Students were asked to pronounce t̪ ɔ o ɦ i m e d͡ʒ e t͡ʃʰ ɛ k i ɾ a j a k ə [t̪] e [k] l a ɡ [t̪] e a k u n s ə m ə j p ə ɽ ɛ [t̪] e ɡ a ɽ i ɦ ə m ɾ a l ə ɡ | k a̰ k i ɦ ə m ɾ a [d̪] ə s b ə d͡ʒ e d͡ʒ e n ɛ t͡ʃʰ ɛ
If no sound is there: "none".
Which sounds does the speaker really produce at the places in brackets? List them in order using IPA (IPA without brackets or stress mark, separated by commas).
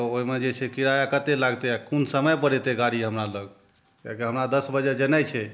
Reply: t̪, none, t̪, t̪, d̪